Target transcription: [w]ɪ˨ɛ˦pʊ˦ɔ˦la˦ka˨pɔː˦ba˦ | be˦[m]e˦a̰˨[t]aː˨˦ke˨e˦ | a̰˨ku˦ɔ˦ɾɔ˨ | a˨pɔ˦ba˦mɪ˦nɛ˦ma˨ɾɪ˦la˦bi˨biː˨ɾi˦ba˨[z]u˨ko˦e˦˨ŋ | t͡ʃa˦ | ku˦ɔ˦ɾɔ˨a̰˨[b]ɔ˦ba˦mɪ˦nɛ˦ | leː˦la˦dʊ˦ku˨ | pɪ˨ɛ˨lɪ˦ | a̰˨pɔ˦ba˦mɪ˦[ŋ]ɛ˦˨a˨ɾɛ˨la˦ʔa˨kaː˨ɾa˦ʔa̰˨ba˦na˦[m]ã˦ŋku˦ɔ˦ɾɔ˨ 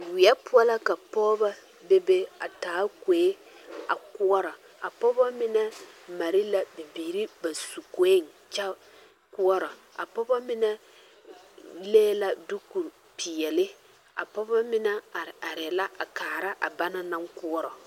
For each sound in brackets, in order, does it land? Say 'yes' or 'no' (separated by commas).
yes, no, yes, no, no, no, no